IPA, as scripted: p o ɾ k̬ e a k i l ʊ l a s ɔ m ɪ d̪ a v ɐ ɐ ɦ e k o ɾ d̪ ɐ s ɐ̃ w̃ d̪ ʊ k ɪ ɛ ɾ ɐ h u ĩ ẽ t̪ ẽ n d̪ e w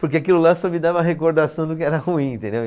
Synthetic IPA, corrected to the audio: p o ɾ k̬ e a k i l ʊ l a s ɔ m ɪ d̪ a v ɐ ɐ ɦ e k o ɾ d̪ a s ɐ̃ w̃ d̪ ʊ k ɪ ɛ ɾ ɐ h u ĩ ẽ t̪ ẽ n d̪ e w